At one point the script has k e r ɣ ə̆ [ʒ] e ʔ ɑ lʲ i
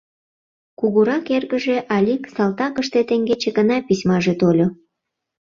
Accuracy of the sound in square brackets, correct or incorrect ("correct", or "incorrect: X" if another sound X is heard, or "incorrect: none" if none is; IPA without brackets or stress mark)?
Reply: correct